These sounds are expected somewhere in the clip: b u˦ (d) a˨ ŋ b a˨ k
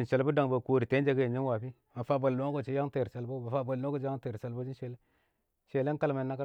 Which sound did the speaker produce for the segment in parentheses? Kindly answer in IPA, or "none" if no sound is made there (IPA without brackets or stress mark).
d